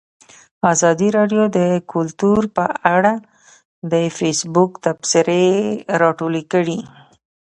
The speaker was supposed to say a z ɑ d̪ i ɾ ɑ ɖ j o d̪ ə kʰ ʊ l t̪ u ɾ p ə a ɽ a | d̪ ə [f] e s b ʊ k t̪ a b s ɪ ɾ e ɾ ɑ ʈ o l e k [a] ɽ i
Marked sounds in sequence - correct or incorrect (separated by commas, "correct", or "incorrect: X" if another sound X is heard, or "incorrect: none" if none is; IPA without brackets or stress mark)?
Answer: correct, incorrect: ə